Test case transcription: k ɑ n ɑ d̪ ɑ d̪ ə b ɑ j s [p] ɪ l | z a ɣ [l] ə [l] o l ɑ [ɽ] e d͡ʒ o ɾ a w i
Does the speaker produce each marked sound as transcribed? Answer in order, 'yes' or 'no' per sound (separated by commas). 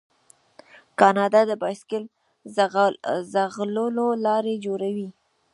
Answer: no, yes, yes, no